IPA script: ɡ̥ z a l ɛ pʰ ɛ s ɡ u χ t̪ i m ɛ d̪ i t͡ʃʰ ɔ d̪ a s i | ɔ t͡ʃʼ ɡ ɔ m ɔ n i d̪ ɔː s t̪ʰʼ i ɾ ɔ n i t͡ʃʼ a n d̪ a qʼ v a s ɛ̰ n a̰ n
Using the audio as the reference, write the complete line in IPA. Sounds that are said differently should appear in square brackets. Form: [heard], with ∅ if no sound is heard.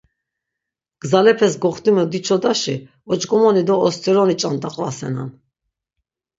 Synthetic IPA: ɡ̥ z a l ɛ pʰ ɛ s ɡ [ɔ] χ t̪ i m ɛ d̪ i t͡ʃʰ ɔ d̪ a [ʃ] i | ɔ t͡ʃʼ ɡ ɔ m ɔ n i d̪ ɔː s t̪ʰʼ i ɾ ɔ n i t͡ʃʼ a n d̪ a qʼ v a s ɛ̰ n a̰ n